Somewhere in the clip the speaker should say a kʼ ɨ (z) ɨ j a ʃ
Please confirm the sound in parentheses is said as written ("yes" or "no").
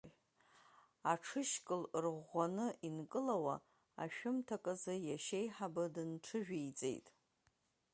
yes